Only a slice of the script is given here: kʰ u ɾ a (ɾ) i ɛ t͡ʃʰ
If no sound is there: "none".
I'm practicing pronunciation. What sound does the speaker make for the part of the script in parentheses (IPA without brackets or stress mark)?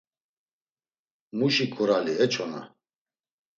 l